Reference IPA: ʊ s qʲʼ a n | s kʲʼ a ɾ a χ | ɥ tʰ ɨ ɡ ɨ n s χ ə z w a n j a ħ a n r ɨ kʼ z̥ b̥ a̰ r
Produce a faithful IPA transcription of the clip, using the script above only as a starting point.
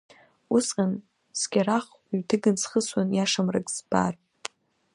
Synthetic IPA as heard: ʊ s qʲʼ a n | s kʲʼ a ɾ a χ | ɥ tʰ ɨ ɡ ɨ n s χ ə s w a n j a ʂ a m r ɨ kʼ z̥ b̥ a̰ r